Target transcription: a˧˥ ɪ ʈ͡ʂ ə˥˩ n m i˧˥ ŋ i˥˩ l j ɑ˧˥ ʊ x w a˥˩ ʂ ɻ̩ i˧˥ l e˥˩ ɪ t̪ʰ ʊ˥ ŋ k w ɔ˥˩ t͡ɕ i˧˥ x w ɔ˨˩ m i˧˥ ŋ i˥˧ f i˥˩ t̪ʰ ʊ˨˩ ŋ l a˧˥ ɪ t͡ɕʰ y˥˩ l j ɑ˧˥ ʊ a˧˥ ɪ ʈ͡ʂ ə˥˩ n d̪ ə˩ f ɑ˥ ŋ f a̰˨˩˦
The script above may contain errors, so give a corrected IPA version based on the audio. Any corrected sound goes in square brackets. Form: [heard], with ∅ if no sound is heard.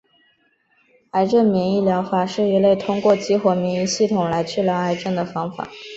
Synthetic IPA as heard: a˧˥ ɪ ʈ͡ʂ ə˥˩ n m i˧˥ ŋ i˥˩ l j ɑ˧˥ ʊ x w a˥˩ ʂ ɻ̩ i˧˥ l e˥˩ ɪ t̪ʰ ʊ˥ ŋ k w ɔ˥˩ t͡ɕ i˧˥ x w ɔ˨˩ m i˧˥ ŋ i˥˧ [ɕ] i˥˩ t̪ʰ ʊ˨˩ ŋ l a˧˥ ɪ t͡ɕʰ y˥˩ l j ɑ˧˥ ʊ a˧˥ ɪ ʈ͡ʂ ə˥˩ n d̪ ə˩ f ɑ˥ ŋ f a̰˨˩˦